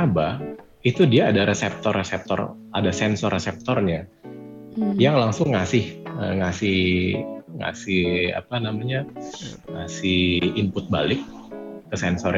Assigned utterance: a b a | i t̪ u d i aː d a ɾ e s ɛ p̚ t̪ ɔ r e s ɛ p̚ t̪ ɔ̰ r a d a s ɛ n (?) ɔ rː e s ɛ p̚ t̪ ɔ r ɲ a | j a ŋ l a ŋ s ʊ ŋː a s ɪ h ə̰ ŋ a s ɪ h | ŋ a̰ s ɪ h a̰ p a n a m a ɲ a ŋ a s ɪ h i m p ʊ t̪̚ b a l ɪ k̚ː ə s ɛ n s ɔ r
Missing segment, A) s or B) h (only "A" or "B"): A